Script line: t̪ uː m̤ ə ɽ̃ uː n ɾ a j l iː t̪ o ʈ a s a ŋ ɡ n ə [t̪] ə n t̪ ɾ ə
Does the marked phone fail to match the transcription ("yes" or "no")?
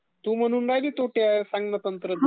no